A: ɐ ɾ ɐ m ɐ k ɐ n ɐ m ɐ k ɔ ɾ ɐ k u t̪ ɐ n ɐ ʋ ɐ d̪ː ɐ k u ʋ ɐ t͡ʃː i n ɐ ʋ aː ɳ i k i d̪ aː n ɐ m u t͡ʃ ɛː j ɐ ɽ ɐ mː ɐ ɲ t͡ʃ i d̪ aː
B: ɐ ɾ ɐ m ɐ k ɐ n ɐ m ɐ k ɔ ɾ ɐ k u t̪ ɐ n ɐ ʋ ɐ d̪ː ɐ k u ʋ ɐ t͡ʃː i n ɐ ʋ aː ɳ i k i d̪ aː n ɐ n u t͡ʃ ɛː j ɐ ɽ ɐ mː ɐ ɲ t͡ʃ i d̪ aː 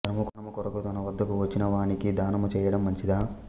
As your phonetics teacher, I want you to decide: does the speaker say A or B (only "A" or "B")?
A